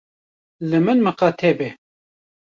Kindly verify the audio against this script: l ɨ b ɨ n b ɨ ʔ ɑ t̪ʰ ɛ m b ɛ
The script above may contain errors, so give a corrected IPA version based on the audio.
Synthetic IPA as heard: l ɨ m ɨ n m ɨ q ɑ t̪ʰ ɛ b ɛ

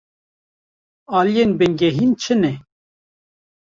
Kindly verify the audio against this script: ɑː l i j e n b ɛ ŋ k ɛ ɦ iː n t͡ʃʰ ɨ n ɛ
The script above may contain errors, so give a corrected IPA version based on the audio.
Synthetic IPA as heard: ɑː l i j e n b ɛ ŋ ɡ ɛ ɦ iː n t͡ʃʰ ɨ n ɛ

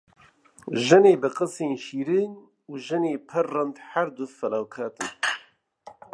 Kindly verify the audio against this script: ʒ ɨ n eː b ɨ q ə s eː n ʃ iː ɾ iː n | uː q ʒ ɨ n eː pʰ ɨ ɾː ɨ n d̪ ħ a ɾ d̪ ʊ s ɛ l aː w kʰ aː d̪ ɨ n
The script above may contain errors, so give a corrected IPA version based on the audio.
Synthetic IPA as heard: ʒ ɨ n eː b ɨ q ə s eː n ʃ iː ɾ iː n | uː ʒ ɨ n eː pʰ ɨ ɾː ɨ n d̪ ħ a ɾ d̪ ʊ f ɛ l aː w kʰ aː t̪ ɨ n

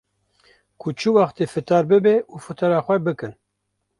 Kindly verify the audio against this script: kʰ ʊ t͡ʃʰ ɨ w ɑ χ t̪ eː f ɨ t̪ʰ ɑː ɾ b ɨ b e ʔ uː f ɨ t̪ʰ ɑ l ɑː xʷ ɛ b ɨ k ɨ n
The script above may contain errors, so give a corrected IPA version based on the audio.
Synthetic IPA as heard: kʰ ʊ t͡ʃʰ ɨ w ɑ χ t̪ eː f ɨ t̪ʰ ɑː ɾ b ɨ b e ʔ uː f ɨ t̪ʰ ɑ ɾ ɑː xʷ ɛ b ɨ k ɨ n

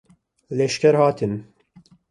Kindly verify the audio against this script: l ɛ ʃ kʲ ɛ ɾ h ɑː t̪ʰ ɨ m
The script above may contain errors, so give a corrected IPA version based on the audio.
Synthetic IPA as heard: l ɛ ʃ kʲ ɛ ɾ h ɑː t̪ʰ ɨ n

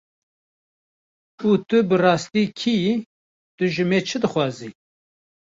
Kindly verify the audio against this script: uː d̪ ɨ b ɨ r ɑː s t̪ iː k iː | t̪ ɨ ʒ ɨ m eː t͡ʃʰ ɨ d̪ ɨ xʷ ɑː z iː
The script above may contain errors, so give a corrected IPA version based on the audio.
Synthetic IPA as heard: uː t̪ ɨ b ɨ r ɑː s t̪ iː kʰ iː | t̪ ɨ ʒ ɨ m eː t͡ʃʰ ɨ d̪ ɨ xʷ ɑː z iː

